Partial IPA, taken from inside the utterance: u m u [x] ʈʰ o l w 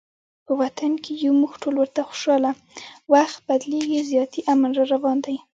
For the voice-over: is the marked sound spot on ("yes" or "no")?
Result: yes